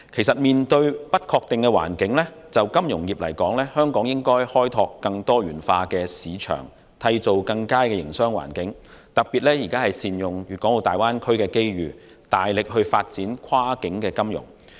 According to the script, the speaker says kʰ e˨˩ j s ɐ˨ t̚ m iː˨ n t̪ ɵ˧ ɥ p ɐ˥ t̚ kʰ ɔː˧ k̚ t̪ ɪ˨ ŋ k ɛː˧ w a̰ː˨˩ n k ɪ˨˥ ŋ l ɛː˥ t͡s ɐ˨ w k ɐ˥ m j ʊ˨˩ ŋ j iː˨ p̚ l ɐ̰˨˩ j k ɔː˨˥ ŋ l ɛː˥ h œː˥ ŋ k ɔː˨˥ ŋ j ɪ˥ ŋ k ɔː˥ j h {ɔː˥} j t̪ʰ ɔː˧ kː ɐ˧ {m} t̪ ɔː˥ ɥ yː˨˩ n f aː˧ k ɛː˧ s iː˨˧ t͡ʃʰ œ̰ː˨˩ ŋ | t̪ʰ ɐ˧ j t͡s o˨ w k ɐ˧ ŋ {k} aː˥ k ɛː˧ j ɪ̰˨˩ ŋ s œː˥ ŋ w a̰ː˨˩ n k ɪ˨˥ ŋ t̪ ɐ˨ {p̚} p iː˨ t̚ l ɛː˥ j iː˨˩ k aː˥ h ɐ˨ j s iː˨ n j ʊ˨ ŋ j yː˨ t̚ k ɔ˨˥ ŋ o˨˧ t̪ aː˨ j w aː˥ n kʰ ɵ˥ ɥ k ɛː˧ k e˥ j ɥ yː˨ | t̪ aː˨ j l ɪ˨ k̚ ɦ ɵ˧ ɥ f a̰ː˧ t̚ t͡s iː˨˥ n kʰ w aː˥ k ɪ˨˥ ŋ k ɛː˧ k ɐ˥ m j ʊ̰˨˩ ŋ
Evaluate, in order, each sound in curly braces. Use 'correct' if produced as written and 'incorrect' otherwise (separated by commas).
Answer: correct, incorrect, correct, incorrect